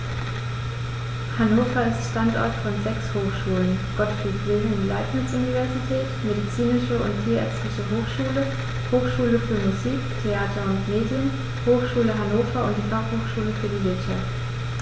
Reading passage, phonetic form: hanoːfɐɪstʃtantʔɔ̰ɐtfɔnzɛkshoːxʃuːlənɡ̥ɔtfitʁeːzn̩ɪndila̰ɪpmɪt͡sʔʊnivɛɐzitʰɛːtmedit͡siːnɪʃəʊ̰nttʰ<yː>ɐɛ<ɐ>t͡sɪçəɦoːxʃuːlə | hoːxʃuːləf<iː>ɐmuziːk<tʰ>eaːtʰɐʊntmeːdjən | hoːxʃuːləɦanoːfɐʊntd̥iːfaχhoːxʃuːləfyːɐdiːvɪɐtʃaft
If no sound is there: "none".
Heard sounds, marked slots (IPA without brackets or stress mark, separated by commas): iː, ɐ, yː, tʰ